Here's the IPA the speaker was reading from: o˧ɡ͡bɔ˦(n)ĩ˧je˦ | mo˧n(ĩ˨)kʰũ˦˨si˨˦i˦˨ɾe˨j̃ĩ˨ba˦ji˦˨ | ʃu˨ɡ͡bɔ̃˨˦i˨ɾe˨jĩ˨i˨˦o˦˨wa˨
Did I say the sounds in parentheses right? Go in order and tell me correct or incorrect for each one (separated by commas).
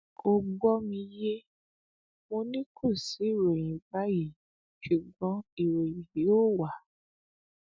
incorrect, incorrect